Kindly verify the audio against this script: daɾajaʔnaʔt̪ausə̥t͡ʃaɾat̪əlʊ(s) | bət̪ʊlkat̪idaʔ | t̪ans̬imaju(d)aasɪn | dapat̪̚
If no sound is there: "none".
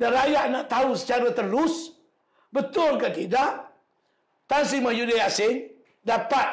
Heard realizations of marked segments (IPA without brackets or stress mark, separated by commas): s, d